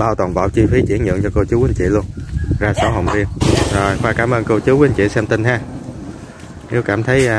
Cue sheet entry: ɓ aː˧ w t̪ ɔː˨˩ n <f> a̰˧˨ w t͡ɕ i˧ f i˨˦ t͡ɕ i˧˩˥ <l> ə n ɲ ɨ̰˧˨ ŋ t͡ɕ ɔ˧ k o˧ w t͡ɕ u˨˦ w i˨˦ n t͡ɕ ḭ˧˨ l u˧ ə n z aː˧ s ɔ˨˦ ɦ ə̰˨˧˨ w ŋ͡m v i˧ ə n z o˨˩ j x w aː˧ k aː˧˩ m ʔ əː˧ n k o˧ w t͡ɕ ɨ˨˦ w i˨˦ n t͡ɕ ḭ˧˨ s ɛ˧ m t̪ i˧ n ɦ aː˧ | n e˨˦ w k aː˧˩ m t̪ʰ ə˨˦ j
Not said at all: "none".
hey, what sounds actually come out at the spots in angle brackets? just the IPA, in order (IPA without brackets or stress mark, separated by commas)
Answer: v, none